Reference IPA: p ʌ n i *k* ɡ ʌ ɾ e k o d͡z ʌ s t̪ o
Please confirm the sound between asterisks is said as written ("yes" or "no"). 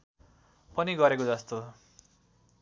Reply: no